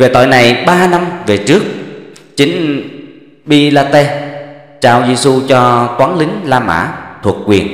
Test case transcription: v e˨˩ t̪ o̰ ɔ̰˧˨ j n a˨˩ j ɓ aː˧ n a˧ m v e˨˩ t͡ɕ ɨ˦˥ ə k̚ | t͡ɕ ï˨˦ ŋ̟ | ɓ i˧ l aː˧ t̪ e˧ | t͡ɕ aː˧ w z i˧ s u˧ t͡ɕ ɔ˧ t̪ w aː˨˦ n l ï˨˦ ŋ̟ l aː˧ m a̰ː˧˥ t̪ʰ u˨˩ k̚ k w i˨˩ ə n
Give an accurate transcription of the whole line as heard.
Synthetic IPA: v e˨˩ t̪ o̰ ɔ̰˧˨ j n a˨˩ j ɓ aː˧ n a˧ m v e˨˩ t͡ɕ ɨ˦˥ ə k̚ | t͡ɕ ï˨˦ ŋ̟ | ɓ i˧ l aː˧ t̪ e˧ | t͡ɕ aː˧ w z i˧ s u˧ t͡ɕ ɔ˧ t̪ w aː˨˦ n l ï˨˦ ŋ̟ l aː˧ m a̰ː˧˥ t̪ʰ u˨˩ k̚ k w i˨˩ ə n